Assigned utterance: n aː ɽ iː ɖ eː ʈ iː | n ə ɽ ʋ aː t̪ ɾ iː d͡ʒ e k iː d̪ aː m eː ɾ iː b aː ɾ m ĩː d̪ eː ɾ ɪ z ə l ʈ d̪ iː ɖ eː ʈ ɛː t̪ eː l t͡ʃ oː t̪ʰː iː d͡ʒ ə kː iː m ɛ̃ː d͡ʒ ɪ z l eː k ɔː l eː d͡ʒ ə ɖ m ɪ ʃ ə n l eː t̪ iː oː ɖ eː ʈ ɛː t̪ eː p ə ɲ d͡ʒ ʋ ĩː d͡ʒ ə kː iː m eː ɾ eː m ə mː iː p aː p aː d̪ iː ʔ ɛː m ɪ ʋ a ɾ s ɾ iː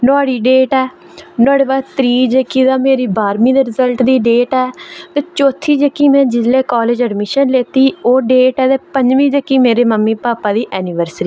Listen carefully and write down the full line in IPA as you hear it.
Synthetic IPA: n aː ɽ iː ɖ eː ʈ ɛː | n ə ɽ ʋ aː t̪ ɾ iː d͡ʒ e k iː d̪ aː m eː ɾ iː b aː ɾ m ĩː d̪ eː ɾ ɪ z ə l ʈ d̪ iː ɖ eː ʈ ɛː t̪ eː t͡ʃ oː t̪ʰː iː d͡ʒ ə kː iː m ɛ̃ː d͡ʒ ɪ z l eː k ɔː l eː d͡ʒ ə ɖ m ɪ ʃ ə n l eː t̪ iː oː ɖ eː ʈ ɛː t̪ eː p ə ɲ d͡ʒ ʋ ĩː d͡ʒ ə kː iː m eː ɾ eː m ə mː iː p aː p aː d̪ iː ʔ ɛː n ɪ ʋ ə ɾ s ɾ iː